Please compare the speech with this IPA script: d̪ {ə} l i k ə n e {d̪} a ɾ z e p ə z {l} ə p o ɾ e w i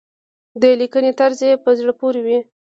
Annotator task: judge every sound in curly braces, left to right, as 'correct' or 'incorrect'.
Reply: correct, incorrect, incorrect

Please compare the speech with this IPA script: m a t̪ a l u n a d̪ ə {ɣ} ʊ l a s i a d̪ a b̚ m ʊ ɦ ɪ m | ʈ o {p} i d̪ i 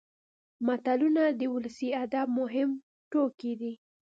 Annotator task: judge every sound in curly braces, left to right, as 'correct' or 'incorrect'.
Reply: incorrect, incorrect

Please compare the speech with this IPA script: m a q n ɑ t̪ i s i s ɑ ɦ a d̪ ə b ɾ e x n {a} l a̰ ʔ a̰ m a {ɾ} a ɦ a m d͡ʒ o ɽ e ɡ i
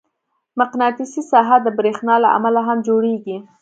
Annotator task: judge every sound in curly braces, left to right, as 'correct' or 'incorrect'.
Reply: incorrect, incorrect

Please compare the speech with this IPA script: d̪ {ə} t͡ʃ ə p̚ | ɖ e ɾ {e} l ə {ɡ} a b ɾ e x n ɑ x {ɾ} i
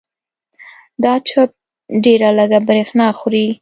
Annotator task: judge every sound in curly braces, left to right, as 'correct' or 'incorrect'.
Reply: incorrect, incorrect, correct, correct

